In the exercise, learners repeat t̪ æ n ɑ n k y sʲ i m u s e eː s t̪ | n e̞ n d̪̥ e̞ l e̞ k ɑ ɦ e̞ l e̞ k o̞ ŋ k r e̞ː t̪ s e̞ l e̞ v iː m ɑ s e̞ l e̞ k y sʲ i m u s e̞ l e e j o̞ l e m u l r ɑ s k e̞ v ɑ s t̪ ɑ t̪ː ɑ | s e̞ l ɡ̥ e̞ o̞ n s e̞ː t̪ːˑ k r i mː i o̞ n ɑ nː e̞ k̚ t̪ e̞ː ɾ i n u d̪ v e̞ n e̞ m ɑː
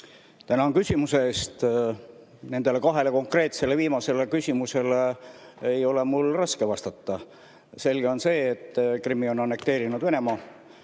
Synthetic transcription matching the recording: t̪ æ n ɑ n k y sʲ i m u s e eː s t̪ | n e̞ n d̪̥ e̞ l e̞ k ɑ ɦ e̞ l e̞ k o̞ ŋ k r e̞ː t̪ s e̞ l e̞ v iː m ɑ s e̞ l e̞ k y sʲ i m u s e̞ l e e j o̞ l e m u l r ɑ s k e̞ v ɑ s t̪ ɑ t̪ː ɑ | s e̞ l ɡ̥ e̞ o̞ n s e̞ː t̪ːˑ k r i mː i o̞ n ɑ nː e̞ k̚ t̪ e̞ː ɾ i n u d̪ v e̞ n e̞ m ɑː